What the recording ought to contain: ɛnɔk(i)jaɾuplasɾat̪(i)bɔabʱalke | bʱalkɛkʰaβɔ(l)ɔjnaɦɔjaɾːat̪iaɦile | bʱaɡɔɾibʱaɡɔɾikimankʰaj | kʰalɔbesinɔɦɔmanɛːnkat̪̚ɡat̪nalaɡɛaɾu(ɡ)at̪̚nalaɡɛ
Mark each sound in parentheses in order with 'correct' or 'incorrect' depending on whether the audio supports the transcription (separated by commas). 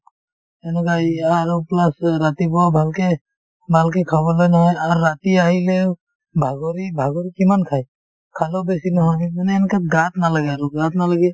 incorrect, correct, correct, correct